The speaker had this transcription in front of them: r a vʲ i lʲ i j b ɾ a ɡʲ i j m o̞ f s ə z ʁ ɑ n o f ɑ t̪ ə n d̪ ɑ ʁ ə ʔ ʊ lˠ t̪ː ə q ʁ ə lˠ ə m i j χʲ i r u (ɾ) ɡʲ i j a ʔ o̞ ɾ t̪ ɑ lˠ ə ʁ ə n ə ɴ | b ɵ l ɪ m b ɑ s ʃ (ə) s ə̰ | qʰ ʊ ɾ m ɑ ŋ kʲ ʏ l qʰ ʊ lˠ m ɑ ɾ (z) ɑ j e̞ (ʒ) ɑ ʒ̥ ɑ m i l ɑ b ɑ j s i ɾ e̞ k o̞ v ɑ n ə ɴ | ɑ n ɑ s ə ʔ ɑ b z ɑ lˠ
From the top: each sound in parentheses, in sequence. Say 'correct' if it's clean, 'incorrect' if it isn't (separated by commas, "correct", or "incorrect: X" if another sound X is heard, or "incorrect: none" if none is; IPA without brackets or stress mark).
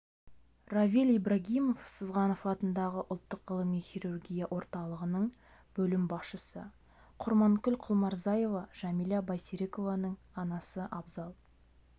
incorrect: r, correct, correct, incorrect: v